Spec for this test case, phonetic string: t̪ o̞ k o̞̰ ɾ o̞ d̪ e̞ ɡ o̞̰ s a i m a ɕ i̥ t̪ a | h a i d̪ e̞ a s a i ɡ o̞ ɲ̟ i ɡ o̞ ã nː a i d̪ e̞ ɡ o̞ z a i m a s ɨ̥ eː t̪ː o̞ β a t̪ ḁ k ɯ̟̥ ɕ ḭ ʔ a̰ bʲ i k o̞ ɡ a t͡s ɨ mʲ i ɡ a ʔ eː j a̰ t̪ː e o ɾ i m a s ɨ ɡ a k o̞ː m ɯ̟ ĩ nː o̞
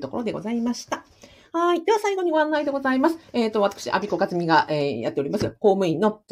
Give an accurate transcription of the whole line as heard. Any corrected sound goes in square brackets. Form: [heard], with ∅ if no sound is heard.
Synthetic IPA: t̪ o̞ k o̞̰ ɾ o̞ d̪ e̞ ɡ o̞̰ [z] a i m a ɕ i̥ t̪ a | h a i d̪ e̞ a s a i ɡ o̞ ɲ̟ i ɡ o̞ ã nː a i d̪ e̞ ɡ o̞ z a i m a s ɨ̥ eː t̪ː o̞ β a t̪ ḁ k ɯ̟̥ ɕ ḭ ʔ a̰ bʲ i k o̞ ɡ a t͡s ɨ mʲ i ɡ a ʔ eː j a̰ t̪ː e o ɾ i m a s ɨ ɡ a k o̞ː m ɯ̟ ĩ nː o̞